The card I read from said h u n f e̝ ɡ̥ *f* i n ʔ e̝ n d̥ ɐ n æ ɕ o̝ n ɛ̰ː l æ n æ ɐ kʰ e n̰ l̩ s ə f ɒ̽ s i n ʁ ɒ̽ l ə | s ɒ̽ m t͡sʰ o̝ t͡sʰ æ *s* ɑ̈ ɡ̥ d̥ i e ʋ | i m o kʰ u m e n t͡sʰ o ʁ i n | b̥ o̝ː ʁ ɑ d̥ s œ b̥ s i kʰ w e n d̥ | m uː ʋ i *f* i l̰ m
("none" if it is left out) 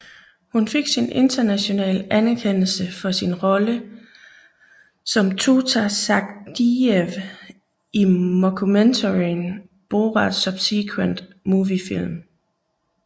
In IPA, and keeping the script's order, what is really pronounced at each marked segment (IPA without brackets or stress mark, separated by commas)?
s, s, f